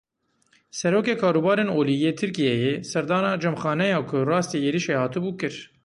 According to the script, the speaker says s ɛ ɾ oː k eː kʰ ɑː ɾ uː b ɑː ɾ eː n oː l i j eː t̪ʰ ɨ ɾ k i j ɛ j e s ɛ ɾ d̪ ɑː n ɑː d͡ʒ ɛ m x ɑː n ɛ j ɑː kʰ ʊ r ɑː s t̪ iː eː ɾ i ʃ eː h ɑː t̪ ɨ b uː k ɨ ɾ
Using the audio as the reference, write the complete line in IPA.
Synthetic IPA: s ɛ ɾ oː k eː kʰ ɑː ɾ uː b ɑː ɾ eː n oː l i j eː t̪ʰ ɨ ɾ k i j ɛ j e s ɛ ɾ d̪ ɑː n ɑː d͡ʒ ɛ m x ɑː n ɛ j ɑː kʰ ʊ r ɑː s t̪ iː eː ɾ i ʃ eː h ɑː t̪ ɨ b uː k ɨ ɾ